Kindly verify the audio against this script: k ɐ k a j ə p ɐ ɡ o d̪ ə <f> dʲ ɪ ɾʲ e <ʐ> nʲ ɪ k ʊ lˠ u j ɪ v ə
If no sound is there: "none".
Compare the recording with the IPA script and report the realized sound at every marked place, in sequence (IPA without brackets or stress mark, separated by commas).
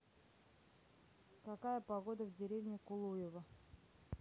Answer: v, v